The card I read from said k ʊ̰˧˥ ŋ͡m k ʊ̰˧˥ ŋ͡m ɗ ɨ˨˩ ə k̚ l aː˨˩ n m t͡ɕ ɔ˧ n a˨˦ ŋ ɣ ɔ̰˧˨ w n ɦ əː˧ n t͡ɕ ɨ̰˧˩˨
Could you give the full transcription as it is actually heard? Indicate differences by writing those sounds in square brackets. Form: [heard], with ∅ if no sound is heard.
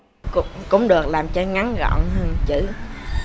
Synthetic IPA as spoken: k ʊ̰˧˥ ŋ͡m k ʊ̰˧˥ ŋ͡m ɗ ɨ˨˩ ə k̚ l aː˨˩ [∅] m t͡ɕ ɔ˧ [ŋ] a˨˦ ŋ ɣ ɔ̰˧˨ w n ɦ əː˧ n t͡ɕ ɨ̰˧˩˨